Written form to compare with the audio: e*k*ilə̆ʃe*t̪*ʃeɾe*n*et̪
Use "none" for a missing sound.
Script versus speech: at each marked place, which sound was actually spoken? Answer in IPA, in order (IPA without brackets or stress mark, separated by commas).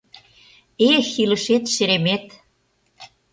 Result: x, t̪, m